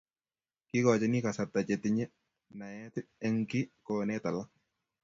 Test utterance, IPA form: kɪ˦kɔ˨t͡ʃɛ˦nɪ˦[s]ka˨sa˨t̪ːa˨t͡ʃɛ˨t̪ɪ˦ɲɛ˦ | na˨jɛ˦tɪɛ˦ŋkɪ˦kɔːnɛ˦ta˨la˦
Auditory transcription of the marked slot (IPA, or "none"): none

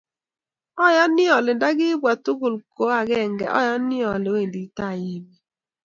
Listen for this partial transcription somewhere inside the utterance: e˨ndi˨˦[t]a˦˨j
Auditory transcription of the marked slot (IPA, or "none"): t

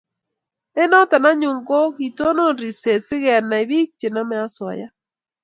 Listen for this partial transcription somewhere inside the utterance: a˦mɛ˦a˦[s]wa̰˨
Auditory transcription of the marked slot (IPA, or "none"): s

